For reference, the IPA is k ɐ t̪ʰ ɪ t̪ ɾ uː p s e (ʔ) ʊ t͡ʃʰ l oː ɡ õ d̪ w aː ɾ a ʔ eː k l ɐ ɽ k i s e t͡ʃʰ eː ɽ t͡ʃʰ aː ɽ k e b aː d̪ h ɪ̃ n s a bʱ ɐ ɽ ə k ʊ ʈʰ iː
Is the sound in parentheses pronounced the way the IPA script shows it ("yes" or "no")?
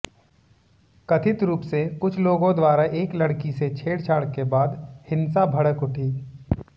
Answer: no